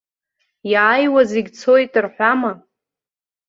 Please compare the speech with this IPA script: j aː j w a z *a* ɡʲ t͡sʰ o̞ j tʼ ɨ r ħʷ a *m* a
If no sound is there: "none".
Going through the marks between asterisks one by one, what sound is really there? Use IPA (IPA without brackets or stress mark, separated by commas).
e, m